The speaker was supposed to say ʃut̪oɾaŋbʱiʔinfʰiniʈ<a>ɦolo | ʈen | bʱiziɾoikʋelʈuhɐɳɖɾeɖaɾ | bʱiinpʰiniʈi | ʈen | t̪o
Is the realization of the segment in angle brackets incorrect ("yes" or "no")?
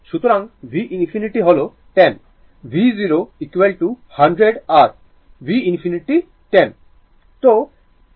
yes